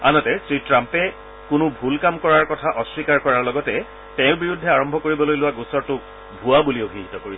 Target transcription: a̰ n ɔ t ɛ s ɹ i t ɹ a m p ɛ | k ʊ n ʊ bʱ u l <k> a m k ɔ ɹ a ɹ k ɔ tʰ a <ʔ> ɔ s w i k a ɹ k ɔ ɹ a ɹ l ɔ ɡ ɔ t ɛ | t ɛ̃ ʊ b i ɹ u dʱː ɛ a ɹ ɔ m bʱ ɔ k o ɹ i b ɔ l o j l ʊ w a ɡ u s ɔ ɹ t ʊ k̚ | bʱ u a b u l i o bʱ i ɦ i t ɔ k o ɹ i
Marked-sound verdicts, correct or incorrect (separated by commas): correct, correct